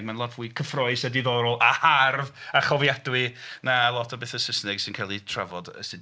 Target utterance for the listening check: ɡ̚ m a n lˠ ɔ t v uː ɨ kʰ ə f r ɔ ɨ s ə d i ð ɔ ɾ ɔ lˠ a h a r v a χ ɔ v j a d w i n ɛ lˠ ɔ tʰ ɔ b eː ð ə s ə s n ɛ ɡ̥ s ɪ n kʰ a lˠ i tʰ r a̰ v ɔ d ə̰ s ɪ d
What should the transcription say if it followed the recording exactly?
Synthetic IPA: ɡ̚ m a n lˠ ɔ t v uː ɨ kʰ ə f r ɔ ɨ s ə d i ð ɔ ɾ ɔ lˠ a h a r v a χ ɔ v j a d w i n a lˠ ɔ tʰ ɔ b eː θ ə s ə s n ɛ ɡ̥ s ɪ n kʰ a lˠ i tʰ r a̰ v ɔ d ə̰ s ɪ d